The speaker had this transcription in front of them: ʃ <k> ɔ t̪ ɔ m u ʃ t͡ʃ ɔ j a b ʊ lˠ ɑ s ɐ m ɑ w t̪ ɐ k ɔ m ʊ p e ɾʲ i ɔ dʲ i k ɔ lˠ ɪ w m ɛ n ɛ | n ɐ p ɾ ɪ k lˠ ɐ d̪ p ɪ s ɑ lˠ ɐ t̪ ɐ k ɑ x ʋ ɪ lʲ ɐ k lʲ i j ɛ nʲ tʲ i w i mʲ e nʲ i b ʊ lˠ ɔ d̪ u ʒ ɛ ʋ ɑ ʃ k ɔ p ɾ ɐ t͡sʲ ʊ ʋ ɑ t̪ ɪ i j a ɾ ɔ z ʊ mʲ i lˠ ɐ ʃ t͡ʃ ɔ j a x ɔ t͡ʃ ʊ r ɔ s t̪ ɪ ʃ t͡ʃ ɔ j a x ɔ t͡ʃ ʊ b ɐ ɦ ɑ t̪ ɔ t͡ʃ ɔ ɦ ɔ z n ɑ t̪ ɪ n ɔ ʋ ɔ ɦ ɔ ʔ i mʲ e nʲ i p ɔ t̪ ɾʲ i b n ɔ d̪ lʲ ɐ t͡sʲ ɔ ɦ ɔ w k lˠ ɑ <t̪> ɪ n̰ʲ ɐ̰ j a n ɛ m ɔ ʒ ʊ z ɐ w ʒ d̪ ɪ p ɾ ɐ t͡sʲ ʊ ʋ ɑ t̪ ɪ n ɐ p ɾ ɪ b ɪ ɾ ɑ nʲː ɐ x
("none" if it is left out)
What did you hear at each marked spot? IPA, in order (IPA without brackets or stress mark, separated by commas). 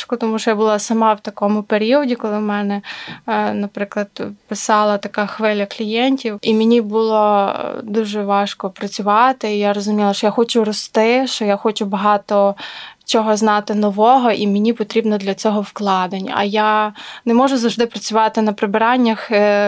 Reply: k, d̪